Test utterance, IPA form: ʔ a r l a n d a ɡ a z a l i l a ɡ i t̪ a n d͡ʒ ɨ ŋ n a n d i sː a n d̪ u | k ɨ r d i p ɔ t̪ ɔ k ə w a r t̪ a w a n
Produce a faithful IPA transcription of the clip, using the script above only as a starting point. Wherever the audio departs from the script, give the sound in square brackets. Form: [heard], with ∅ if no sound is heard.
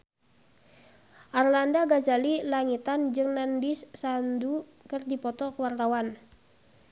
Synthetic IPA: ʔ a r l a n d a ɡ a z a l i l a [ŋ] i t̪ a n d͡ʒ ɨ ŋ n a n d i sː a n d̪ u | k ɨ r d i p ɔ t̪ ɔ k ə w a r t̪ a w a n